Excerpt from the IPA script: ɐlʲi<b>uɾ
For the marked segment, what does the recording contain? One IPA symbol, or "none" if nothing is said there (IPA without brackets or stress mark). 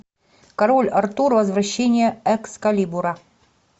b